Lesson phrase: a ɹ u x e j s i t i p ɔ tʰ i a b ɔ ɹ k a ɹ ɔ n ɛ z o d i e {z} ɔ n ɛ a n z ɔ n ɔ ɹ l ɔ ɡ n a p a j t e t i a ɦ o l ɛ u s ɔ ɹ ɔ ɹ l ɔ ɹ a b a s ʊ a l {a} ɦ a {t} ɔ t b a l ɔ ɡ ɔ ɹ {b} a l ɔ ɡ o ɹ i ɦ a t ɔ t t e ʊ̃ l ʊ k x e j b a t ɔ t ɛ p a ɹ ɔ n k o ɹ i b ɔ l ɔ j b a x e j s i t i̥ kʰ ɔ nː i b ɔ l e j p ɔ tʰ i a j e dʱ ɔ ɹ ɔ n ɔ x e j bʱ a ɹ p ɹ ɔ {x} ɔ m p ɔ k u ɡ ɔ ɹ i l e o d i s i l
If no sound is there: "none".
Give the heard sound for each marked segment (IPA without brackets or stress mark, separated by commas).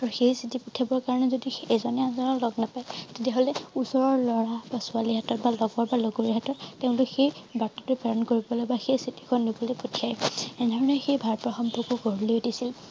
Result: z, i, t, b, x